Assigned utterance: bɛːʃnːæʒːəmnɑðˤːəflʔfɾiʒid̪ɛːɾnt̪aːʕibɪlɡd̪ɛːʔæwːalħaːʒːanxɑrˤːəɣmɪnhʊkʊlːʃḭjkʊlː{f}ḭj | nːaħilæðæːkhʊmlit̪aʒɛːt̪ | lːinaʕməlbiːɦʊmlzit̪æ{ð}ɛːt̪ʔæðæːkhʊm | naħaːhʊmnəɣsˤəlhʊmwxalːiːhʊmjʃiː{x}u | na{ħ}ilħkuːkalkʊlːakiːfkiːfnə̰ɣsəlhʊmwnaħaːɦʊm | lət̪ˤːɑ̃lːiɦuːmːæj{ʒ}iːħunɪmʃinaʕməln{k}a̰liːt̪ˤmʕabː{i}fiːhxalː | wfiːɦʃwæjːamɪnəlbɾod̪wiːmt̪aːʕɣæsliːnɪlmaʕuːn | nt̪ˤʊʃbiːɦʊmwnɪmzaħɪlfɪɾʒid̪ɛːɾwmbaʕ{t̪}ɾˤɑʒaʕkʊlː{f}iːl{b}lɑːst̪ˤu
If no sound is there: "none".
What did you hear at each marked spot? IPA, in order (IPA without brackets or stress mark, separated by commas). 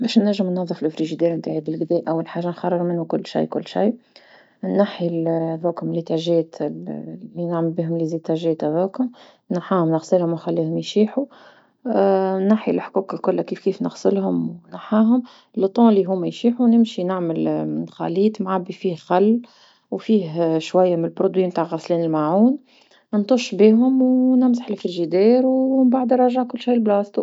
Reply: ʃ, ʒ, ħ, ħ, ʃ, x, i, d̪, ʃ, b